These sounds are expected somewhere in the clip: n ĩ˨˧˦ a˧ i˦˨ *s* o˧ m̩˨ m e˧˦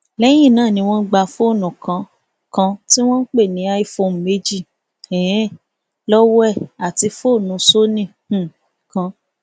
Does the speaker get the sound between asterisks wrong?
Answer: yes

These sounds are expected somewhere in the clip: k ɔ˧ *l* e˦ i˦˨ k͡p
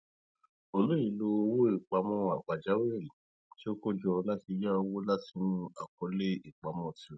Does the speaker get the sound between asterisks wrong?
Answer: no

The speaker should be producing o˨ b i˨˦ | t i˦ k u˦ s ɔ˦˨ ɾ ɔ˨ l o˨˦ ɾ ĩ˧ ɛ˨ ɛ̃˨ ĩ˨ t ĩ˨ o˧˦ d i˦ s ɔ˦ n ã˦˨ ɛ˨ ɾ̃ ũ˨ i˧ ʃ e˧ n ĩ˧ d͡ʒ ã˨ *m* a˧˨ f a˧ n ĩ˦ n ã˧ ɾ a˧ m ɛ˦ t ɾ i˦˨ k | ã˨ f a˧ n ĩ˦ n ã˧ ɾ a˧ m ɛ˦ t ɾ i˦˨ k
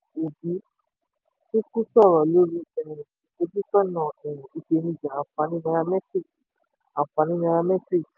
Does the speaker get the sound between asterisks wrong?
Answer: yes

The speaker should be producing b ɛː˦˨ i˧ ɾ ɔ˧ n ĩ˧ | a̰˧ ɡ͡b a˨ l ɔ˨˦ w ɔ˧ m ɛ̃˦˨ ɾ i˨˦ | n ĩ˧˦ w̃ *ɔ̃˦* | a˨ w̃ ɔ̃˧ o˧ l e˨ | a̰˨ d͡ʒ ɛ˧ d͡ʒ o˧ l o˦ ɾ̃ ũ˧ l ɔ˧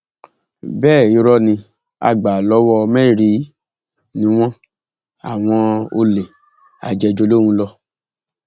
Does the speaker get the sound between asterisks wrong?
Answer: no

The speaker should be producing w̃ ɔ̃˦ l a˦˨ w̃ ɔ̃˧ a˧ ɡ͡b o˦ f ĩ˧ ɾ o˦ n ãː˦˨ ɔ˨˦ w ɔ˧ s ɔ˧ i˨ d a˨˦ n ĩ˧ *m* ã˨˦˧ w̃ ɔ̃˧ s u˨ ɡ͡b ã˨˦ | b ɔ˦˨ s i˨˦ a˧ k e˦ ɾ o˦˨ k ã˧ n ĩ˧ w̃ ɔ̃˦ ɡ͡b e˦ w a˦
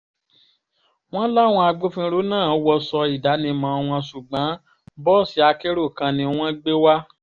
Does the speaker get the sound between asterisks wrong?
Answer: no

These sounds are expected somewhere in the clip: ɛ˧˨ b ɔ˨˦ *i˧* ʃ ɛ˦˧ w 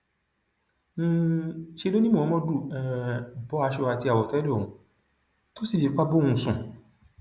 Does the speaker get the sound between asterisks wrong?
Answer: yes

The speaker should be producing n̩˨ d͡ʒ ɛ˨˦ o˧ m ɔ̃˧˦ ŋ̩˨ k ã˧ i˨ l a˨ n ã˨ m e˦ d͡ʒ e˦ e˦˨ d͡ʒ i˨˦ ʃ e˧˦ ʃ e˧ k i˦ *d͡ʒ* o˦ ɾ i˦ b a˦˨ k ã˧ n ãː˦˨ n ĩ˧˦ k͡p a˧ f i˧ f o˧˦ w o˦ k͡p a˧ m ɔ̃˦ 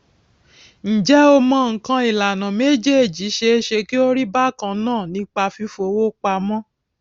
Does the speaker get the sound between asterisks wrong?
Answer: yes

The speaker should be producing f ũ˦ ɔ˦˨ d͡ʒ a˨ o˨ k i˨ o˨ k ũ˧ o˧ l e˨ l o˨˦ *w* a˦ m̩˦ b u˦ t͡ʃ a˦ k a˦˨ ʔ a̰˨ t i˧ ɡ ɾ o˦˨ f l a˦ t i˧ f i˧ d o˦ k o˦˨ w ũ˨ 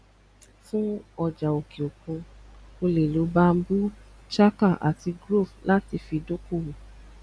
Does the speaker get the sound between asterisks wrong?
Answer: yes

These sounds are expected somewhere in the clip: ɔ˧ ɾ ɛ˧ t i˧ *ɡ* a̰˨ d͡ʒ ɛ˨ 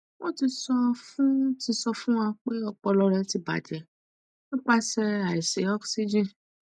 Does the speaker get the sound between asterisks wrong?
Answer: yes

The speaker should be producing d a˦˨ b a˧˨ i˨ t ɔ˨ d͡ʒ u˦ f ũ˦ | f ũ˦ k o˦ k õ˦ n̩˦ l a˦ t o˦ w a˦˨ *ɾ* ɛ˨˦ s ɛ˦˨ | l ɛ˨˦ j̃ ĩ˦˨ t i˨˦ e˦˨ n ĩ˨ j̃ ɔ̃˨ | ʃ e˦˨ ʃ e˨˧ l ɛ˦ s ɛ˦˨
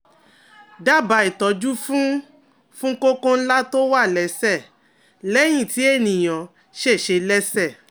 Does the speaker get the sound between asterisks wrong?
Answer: yes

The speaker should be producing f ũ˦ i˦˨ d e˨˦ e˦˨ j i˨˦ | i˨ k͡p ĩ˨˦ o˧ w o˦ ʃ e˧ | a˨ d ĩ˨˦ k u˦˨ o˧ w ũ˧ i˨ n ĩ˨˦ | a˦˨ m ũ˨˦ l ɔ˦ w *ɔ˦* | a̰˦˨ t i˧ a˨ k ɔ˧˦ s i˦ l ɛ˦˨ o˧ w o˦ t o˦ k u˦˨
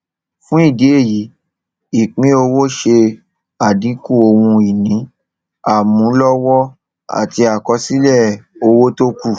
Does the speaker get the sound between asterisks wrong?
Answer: no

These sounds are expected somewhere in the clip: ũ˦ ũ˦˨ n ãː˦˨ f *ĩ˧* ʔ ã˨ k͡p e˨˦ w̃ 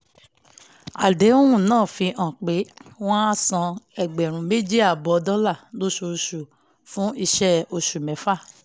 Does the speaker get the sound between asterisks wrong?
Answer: yes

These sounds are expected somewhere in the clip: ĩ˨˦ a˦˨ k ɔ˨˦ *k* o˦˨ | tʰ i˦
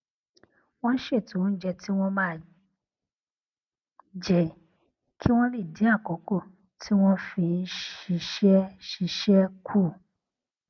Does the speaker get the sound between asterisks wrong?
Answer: no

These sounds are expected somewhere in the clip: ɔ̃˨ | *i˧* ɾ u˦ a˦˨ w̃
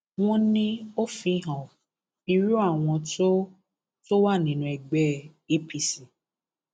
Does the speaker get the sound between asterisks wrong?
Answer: no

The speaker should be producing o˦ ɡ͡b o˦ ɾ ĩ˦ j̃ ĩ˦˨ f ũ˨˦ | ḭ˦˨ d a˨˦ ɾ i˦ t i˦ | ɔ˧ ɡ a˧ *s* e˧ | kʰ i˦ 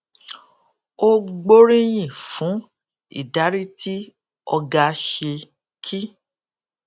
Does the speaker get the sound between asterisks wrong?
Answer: yes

